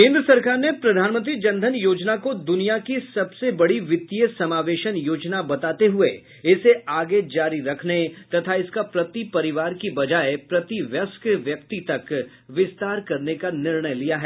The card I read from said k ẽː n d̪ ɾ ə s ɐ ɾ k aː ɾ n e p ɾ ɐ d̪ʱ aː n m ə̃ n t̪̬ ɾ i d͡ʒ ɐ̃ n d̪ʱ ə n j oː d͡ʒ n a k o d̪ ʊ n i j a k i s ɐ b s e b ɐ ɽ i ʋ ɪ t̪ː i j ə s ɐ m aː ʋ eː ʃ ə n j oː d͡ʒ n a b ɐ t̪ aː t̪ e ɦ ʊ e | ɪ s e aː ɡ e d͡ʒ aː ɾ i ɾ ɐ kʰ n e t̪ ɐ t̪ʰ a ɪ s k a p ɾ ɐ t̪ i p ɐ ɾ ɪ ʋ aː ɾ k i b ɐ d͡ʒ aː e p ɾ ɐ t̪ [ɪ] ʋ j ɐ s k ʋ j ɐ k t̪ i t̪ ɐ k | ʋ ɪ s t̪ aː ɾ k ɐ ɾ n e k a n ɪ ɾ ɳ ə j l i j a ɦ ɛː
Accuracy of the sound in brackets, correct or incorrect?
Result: incorrect